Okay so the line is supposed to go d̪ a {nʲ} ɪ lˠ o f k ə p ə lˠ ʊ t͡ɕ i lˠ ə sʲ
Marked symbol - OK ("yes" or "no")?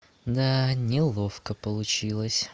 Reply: yes